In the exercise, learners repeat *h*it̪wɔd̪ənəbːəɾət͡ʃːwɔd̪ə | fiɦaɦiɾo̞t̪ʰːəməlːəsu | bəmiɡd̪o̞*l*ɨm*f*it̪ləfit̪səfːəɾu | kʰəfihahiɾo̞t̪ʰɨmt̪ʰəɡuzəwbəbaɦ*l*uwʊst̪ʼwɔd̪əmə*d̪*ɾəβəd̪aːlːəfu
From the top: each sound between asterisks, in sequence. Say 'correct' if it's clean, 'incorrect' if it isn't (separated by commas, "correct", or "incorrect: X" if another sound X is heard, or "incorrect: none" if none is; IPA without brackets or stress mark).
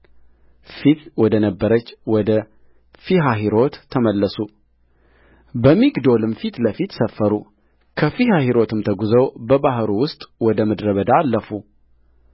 incorrect: f, correct, correct, incorrect: ɾ, correct